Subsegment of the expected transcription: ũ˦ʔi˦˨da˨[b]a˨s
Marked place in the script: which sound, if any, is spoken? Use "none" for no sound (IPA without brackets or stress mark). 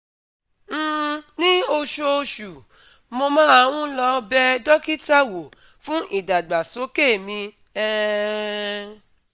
ɡ͡b